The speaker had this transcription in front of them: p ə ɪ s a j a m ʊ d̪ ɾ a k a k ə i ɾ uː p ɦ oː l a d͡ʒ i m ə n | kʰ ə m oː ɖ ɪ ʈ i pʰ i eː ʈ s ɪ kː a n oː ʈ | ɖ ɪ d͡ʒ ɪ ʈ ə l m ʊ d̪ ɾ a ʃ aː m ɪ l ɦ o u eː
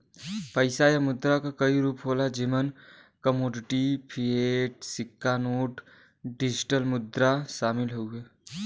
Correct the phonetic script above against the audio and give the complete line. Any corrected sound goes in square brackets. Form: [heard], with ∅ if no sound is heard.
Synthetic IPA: p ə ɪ s a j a m ʊ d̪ ɾ a k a k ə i ɾ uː p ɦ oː l a d͡ʒ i m ə n | [k] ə m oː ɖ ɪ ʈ i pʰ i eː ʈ s ɪ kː a n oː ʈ | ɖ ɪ d͡ʒ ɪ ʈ ə l m ʊ d̪ ɾ a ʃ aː m ɪ l ɦ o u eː